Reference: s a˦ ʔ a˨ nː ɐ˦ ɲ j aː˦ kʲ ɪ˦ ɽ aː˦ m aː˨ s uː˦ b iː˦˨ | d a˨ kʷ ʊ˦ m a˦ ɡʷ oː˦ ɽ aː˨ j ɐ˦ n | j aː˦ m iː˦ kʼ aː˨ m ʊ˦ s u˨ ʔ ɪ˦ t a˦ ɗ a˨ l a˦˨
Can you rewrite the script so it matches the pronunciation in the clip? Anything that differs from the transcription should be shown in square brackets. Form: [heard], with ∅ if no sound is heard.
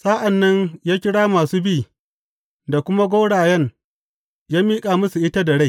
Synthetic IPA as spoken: s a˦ ʔ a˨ nː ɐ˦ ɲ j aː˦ kʲ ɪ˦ ɽ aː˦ m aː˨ s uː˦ b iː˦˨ | d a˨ kʷ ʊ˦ m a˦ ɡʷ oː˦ ɽ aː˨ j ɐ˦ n | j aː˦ m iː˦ kʼ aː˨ m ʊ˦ s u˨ ʔ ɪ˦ t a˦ [d] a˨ [ɽ] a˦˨